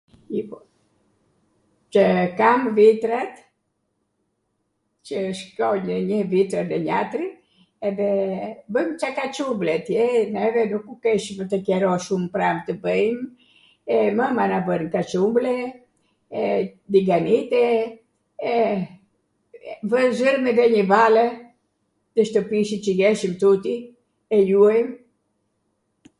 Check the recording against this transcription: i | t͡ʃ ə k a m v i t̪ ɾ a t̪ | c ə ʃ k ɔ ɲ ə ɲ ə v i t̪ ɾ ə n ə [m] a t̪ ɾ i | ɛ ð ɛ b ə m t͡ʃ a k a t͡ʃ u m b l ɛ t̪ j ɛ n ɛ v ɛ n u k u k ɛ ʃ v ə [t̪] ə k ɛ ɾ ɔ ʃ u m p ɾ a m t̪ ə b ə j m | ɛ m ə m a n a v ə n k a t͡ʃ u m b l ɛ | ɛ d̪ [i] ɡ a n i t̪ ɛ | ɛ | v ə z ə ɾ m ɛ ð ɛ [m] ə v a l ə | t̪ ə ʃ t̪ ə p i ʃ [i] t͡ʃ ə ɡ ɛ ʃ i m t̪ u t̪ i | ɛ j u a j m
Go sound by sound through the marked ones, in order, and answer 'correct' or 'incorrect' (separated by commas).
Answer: incorrect, correct, correct, incorrect, correct